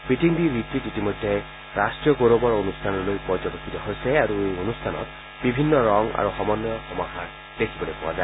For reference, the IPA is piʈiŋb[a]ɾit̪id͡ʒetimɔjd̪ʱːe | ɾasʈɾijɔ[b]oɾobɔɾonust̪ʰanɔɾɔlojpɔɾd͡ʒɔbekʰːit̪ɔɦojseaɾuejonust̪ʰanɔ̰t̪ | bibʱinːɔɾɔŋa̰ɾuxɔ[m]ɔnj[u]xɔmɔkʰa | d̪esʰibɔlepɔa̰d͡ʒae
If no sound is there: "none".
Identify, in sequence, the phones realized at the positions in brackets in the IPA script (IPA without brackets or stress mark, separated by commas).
i, ɡ, m, ɔ